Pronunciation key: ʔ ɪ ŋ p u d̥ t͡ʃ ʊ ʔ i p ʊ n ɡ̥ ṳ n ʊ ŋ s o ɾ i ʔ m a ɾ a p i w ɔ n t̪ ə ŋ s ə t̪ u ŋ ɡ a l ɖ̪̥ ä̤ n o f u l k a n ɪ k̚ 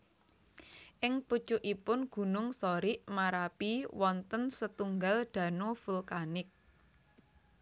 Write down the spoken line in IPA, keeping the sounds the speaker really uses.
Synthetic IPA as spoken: ʔ ɪ ŋ p u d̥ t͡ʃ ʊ ʔ i p ʊ n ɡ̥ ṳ n ʊ ŋ s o ɾ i ʔ m a ɾ a p i w ɔ n t̪ ə n s ə t̪ u ŋ ɡ a l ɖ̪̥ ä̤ n o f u l k a n ɪ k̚